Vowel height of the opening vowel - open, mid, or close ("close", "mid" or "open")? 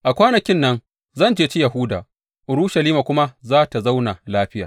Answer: open